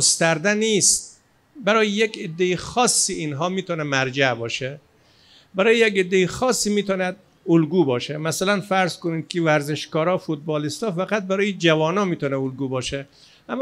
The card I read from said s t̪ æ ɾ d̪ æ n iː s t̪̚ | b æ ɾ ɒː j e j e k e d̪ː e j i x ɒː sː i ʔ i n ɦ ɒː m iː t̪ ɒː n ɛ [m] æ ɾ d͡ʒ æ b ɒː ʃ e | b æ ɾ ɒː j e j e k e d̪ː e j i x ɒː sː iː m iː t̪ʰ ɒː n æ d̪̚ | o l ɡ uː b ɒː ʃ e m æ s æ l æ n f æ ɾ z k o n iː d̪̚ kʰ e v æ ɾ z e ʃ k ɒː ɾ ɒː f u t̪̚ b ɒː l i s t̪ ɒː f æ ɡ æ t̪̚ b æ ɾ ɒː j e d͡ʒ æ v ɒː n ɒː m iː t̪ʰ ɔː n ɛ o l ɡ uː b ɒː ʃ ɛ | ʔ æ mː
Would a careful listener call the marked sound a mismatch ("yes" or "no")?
no